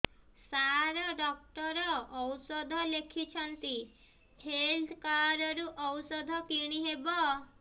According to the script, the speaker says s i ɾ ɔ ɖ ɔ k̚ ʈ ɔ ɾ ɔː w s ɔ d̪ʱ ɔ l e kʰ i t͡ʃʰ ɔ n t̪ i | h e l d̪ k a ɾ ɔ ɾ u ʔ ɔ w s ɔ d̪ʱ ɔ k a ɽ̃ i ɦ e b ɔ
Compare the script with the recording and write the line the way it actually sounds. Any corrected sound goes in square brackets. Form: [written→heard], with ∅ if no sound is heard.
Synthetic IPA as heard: s [i→a] ɾ ɔ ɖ ɔ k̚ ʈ ɔ ɾ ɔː w s ɔ d̪ʱ ɔ l e kʰ i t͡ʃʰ ɔ n t̪ i | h e l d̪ k a ɾ ɔ ɾ u ʔ ɔ w s ɔ d̪ʱ ɔ k [a→i] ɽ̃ i ɦ e b ɔ